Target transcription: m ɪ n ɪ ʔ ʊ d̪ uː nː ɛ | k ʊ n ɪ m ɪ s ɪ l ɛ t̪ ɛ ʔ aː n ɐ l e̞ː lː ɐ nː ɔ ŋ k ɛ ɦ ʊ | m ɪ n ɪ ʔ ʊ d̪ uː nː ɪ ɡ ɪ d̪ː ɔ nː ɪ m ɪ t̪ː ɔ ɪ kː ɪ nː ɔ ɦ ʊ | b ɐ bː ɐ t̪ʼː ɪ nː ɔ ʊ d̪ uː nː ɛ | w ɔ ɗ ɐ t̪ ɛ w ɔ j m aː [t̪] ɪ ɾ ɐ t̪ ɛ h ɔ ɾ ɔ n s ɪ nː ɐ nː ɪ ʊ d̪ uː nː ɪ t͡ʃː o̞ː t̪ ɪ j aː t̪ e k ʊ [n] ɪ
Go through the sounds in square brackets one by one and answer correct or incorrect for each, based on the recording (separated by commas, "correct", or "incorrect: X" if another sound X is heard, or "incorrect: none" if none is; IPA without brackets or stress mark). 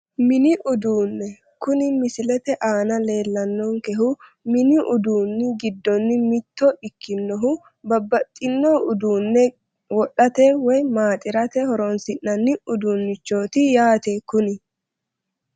incorrect: t̪ʼ, correct